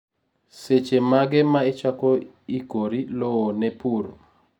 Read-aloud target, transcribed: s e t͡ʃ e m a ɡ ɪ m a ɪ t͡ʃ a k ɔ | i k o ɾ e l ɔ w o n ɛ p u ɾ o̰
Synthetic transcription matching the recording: s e t͡ʃ e m a ɡ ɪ m a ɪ t͡ʃ a k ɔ | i k o ɾ i l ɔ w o n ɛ p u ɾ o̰